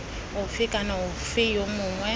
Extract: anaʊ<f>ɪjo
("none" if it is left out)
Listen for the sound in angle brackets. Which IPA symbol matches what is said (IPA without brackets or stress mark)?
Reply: f